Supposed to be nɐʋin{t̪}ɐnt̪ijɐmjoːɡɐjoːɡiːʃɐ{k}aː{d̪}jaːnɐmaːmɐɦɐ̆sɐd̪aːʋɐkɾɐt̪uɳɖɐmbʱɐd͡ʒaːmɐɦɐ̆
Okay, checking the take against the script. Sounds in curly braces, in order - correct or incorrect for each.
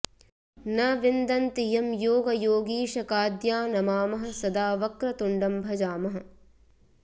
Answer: incorrect, correct, correct

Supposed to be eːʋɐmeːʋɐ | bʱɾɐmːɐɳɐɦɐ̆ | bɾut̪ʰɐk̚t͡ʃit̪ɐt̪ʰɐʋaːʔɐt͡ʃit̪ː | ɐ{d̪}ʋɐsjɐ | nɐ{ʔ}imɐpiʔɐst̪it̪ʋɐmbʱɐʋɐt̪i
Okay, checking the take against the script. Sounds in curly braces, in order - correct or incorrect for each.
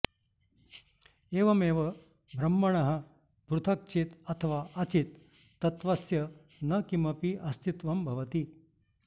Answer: incorrect, incorrect

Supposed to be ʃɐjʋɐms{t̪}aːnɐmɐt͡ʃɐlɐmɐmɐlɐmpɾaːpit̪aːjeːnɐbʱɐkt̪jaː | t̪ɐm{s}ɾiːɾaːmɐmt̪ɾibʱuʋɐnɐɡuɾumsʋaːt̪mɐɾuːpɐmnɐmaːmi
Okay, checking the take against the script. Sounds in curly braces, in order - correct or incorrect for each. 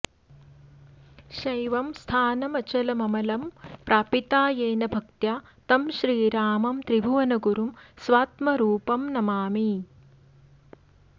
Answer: incorrect, incorrect

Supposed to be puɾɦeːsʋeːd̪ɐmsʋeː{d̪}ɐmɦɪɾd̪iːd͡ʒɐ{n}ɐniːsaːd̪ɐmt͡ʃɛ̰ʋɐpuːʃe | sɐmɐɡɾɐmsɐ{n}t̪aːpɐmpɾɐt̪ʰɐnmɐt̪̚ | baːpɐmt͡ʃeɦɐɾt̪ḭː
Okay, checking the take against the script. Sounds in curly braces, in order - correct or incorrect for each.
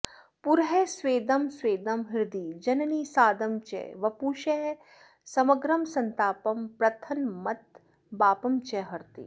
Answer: correct, correct, correct

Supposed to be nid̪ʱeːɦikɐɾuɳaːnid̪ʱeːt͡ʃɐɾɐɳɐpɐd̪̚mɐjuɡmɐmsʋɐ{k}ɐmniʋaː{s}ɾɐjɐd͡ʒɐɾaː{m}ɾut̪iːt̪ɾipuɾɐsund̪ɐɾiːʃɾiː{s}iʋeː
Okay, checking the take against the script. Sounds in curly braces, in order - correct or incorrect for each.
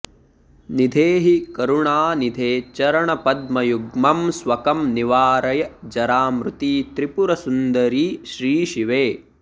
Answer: correct, incorrect, correct, incorrect

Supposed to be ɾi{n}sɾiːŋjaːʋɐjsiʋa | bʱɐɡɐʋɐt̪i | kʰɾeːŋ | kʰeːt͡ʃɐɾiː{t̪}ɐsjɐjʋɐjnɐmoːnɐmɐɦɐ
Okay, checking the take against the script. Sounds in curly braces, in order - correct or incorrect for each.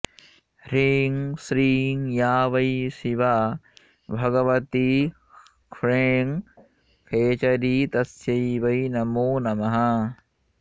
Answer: incorrect, correct

